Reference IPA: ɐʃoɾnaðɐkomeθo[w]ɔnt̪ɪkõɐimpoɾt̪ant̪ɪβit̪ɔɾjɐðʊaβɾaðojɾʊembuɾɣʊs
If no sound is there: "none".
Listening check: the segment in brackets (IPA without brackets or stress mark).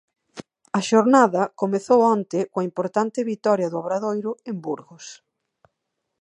w